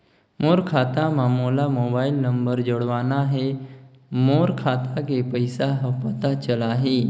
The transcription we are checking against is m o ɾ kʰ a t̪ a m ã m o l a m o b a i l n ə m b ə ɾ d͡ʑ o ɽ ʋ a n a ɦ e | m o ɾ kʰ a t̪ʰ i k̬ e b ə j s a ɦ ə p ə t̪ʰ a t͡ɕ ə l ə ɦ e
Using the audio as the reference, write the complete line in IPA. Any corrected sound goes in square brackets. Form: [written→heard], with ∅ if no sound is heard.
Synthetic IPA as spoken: m o ɾ kʰ a t̪ a m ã m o l a m o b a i l n ə m b ə ɾ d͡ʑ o ɽ ʋ a n a ɦ e | m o ɾ kʰ a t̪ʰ [i→a] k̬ e [b→p] ə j s a ɦ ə p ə [t̪ʰ→t̪] a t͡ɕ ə l [ə→a] ɦ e